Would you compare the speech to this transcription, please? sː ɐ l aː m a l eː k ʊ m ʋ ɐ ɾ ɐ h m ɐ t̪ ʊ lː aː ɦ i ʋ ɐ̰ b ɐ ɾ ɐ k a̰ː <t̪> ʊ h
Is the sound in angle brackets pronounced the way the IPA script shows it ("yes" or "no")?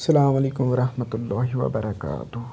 yes